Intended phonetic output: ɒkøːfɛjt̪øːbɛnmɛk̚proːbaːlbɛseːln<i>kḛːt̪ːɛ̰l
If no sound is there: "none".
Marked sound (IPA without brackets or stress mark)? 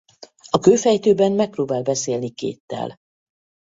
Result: i